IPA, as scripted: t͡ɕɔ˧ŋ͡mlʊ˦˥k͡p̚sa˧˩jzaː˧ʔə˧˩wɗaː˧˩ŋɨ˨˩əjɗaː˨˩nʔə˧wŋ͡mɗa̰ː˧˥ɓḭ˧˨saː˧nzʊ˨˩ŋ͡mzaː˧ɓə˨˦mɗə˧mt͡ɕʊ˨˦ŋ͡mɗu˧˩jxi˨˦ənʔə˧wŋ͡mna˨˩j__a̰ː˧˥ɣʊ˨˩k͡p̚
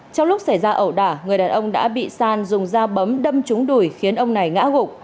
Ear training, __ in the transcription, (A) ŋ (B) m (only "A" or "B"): A